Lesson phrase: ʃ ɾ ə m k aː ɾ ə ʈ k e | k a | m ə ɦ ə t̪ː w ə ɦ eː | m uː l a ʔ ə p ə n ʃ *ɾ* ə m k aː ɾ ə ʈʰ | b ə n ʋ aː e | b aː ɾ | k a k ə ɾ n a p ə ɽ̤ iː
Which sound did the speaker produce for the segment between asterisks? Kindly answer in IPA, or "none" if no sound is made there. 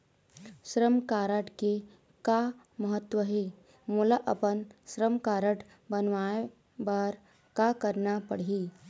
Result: ɾ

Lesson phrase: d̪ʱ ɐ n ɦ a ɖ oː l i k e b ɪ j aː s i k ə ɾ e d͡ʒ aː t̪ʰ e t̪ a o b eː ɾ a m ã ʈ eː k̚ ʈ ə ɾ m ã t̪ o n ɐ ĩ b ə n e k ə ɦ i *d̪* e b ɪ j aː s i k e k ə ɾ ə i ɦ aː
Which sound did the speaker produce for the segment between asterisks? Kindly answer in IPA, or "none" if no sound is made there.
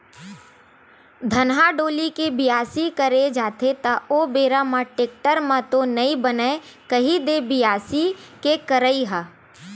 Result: d̪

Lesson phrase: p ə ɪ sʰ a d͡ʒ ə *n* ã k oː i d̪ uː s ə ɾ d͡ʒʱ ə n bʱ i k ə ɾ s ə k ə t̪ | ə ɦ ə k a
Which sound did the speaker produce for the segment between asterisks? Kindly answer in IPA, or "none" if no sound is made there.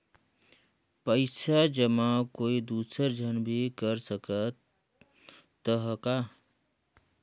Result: m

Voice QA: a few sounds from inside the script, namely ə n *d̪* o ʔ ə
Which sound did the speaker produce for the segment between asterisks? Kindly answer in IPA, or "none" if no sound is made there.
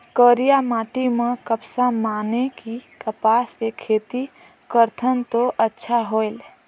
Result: t̪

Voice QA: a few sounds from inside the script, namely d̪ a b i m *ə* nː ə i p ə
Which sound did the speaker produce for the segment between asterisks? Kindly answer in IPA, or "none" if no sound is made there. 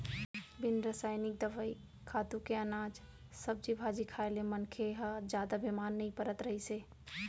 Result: a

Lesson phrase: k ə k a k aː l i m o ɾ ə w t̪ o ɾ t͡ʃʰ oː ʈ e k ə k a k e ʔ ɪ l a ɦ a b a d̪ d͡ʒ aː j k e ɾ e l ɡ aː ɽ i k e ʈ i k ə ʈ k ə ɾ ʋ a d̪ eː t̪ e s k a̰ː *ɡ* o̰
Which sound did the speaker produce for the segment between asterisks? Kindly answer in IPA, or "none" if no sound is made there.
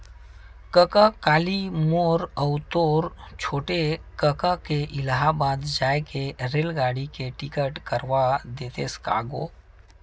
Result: ɡ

